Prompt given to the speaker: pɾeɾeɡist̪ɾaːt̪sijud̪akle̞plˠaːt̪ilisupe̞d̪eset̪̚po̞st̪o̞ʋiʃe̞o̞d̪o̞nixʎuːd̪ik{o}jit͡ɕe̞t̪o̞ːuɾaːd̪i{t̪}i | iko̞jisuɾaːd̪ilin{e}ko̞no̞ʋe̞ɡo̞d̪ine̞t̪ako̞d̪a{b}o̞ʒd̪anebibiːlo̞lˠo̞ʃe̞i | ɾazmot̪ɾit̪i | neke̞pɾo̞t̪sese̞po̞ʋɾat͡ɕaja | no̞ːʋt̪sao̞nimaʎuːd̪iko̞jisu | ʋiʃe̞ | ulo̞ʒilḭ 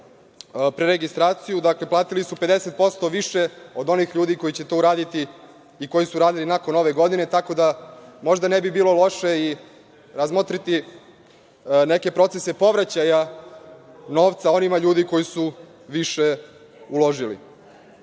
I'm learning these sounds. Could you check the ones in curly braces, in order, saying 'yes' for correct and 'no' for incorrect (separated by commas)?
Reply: yes, yes, no, no